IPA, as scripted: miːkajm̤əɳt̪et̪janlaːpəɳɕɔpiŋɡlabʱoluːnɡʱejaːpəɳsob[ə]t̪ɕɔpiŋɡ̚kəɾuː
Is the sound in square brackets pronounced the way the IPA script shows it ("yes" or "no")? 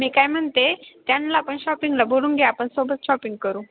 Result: yes